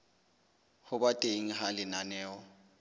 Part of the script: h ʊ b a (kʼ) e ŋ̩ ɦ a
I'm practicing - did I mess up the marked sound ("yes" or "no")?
yes